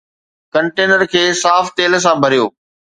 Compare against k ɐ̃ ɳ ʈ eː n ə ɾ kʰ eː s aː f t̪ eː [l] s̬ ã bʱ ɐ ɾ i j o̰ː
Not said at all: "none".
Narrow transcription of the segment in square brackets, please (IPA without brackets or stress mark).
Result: l